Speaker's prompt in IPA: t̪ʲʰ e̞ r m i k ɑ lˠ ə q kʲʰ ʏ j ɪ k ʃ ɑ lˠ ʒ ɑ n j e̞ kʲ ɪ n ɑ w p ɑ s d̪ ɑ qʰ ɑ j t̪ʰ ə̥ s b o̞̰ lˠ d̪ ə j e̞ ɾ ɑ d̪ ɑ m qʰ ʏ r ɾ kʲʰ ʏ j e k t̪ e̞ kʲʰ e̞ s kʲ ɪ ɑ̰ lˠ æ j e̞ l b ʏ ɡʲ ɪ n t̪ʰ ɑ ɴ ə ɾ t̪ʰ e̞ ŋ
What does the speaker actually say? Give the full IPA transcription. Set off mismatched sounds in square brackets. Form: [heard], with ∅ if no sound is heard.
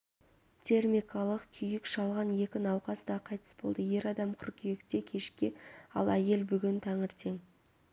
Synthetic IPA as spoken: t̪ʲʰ e̞ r m i k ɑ lˠ ə q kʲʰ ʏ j ɪ k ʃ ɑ lˠ [ʁ] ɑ n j e̞ kʲ ɪ n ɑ w [q] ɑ s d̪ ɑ qʰ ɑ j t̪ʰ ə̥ s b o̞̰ lˠ d̪ ə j e̞ ɾ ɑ d̪ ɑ m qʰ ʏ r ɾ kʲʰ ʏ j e k t̪ e̞ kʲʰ e̞ [ʃ] kʲ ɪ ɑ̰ lˠ æ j e̞ l b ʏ ɡʲ ɪ n t̪ʰ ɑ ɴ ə ɾ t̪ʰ e̞ ŋ

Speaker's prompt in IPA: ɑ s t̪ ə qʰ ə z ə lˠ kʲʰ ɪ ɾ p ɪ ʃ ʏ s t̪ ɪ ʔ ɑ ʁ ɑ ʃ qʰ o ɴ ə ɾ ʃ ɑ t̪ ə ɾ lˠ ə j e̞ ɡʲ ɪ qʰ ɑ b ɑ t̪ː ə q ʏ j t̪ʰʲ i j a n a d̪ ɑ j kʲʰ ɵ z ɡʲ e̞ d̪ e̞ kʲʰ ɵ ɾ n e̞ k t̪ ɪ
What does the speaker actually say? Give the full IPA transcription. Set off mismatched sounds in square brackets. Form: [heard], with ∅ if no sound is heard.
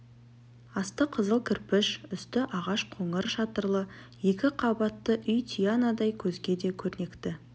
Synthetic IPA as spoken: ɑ s t̪ ə qʰ ə z ə lˠ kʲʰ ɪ ɾ p ɪ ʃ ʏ s t̪ ɪ ʔ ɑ ʁ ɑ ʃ qʰ o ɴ ə ɾ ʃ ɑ t̪ ə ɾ lˠ ə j e̞ [kʲ] ɪ qʰ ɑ b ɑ t̪ː ə [ʔ] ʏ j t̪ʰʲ i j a n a d̪ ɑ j kʲʰ ɵ z ɡʲ e̞ d̪ e̞ kʲʰ ɵ ɾ n e̞ k t̪ ɪ

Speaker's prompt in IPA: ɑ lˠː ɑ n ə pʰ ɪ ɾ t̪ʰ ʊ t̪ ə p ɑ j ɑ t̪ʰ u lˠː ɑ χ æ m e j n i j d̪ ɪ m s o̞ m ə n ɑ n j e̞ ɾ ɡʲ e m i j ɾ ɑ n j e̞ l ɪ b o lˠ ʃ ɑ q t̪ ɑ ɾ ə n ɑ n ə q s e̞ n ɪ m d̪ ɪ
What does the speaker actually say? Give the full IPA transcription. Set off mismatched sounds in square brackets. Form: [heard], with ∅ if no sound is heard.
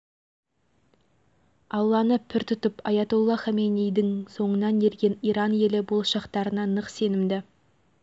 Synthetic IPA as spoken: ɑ lˠː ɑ n ə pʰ ɪ ɾ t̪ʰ ʊ t̪ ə p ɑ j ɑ [t̪] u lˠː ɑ χ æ m e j n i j d̪ ɪ [ŋ] s o̞ [ɴ] ə n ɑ n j e̞ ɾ ɡʲ e [n] i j ɾ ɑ n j e̞ l ɪ b o lˠ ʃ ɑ q t̪ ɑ ɾ ə n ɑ n ə q s e̞ n ɪ m d̪ ɪ

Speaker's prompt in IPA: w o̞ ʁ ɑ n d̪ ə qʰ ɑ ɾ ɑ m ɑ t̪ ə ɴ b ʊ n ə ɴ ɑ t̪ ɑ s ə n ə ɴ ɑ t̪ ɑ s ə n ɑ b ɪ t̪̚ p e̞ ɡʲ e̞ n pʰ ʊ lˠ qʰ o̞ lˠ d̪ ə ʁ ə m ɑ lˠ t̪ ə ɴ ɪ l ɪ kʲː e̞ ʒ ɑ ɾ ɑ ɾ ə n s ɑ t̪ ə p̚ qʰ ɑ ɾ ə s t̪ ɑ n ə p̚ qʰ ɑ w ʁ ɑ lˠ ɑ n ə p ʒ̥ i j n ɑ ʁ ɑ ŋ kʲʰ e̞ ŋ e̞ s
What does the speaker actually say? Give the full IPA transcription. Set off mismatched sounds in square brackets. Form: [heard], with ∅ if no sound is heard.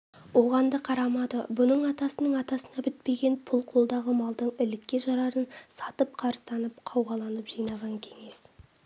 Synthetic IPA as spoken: w o̞ ʁ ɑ n d̪ ə qʰ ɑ ɾ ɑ m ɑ [d̪] ə [∅] b ʊ n ə ɴ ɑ t̪ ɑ s ə n ə ɴ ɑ t̪ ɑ s ə n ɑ b ɪ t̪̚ p e̞ ɡʲ e̞ n pʰ ʊ lˠ qʰ o̞ lˠ d̪ [ɑ] ʁ ə m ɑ lˠ [d̪] ə ɴ ɪ l ɪ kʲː e̞ ʒ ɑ ɾ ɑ ɾ ə n s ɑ t̪ ə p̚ qʰ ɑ ɾ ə s t̪ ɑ n ə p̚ qʰ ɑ w ʁ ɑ lˠ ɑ n ə p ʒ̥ i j n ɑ ʁ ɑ ŋ kʲʰ e̞ ŋ e̞ s

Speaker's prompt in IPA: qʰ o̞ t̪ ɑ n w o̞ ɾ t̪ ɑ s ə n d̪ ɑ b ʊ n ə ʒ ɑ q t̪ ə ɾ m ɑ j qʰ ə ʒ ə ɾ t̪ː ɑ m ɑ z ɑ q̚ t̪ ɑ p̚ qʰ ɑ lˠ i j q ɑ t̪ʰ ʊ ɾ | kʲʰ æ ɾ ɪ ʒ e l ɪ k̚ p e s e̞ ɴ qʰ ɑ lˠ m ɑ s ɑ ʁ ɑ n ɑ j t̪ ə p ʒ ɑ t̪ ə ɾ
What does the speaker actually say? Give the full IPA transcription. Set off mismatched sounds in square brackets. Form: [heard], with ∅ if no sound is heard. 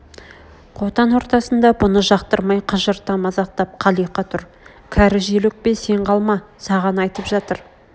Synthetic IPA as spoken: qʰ o̞ t̪ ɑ n w o̞ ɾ t̪ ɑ s ə n d̪ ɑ b ʊ n ə ʒ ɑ q t̪ ə ɾ m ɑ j qʰ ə ʒ ə ɾ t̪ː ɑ m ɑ z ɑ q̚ t̪ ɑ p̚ qʰ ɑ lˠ i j q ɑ t̪ʰ ʊ ɾ | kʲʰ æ ɾ ɪ ʒ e l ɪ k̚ p e s e̞ ɴ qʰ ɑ lˠ m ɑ s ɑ ʁ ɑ n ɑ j t̪ ə p ʒ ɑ t̪ ə ɾ

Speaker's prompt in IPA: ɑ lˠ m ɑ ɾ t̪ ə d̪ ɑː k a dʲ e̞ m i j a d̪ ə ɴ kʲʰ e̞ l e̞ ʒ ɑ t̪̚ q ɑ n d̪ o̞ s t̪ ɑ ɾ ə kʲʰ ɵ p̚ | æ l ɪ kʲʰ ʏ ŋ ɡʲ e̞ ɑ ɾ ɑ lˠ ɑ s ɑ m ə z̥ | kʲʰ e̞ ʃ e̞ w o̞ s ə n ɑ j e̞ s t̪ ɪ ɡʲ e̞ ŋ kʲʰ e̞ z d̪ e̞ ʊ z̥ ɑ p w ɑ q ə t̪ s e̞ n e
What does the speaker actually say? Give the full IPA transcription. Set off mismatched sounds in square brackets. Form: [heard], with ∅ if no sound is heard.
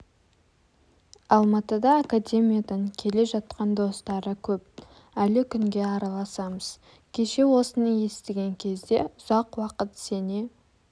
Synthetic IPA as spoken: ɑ lˠ m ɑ [∅] t̪ ə d̪ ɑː k a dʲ e̞ m i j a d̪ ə ɴ kʲʰ e̞ l e̞ ʒ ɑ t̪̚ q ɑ n d̪ o̞ s t̪ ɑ ɾ ə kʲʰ ɵ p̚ | æ l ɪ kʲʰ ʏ ŋ ɡʲ e̞ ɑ ɾ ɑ lˠ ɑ s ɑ m ə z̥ | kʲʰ e̞ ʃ e̞ w o̞ s ə n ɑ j e̞ s t̪ ɪ ɡʲ e̞ ŋ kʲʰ e̞ z d̪ e̞ ʊ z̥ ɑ [q] w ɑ q ə t̪ s e̞ n e

